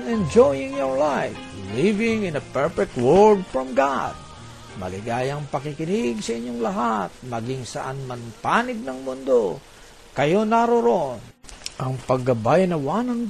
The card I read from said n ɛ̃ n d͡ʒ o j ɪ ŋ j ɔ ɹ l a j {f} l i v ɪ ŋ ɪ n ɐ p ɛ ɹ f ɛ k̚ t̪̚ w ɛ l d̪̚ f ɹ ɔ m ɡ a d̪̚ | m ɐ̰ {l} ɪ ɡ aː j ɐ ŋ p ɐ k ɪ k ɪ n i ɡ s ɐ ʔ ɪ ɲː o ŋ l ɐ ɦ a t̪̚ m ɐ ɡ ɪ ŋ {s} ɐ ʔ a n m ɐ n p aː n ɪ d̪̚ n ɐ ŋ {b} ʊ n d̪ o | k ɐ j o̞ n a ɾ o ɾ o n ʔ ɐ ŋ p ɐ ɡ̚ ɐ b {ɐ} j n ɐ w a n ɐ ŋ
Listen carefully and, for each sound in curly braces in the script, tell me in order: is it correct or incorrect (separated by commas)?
correct, correct, correct, incorrect, incorrect